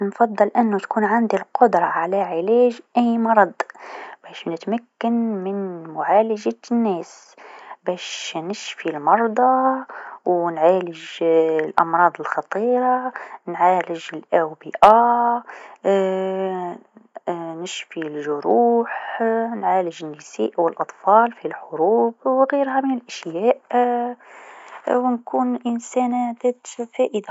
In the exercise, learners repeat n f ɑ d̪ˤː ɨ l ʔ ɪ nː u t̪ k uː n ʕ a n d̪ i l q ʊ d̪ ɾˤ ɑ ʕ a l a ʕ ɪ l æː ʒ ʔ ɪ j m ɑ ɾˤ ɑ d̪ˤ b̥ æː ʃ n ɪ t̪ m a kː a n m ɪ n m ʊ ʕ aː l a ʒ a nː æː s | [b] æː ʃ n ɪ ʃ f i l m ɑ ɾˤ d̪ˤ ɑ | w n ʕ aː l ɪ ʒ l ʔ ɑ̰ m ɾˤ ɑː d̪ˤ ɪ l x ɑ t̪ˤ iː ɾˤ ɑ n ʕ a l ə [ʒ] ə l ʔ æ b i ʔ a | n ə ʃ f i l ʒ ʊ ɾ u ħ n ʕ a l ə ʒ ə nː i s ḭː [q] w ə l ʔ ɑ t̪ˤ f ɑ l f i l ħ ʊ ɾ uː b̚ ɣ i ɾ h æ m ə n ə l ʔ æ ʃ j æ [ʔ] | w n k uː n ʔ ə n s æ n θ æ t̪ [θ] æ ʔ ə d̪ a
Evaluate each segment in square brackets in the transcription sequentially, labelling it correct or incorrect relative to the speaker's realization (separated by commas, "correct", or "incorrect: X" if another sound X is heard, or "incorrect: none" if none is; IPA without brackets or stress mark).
correct, correct, incorrect: ʔ, correct, incorrect: f